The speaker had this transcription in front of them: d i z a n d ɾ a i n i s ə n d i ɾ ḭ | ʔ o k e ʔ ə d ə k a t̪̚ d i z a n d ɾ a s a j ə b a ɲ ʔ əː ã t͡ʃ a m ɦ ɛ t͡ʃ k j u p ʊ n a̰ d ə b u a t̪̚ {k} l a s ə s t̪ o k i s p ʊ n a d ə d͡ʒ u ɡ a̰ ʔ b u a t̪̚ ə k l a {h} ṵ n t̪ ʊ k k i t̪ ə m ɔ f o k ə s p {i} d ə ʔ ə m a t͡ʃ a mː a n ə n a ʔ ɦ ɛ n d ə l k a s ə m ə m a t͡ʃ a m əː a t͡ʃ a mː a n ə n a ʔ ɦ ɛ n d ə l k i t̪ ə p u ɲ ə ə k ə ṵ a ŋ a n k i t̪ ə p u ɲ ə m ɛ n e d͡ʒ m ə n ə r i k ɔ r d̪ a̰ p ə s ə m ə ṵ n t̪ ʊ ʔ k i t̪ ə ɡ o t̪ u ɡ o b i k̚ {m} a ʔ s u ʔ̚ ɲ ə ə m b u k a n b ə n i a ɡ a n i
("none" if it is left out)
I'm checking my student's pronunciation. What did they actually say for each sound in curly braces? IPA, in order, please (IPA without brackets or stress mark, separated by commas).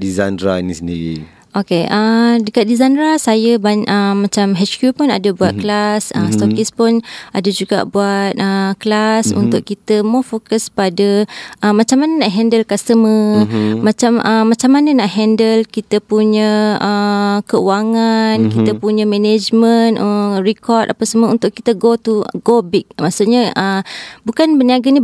k, s, a, m